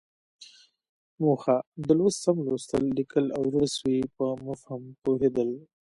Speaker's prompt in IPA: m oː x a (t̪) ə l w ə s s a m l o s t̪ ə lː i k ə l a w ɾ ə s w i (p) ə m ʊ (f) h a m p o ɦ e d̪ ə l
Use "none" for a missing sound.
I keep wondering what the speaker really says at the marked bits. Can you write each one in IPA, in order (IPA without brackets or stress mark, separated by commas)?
d̪, p, f